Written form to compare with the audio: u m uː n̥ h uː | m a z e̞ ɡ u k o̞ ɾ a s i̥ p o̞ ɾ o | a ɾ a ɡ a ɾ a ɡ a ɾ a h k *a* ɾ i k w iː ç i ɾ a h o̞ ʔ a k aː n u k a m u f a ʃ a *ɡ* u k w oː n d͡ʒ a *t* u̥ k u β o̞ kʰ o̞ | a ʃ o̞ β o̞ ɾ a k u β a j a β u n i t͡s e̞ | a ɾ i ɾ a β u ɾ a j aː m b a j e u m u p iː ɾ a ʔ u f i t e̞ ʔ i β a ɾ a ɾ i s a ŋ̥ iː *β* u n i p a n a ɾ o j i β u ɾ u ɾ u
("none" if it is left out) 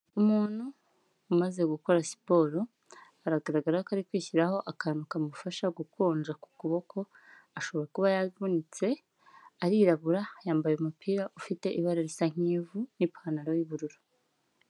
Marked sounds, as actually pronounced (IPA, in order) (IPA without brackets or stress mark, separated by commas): a, ɡ, k, v